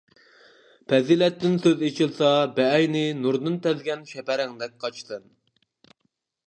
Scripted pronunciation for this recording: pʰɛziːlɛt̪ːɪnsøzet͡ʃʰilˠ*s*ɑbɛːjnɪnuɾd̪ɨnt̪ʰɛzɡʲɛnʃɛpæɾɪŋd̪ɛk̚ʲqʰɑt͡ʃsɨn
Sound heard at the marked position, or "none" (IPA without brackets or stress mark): s